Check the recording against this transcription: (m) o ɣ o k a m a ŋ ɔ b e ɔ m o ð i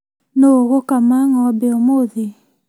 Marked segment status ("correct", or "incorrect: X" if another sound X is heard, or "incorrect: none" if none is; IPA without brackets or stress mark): incorrect: n